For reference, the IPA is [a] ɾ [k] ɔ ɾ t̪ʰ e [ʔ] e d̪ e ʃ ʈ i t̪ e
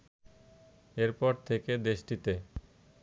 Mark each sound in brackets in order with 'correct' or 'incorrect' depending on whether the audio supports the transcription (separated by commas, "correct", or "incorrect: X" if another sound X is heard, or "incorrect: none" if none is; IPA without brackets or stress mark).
incorrect: e, incorrect: p, incorrect: k